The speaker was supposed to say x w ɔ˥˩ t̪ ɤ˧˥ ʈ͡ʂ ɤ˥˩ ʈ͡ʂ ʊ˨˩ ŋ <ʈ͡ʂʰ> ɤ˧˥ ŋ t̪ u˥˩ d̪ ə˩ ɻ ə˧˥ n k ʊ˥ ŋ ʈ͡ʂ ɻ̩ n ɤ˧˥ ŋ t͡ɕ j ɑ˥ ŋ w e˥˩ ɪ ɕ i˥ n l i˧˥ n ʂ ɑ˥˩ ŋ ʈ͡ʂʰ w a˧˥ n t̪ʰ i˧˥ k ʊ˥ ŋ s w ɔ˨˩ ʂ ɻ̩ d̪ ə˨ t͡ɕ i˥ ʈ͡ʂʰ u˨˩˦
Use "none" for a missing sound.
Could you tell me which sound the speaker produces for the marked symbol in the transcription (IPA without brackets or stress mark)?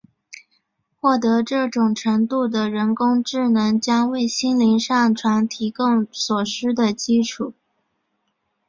ʈ͡ʂʰ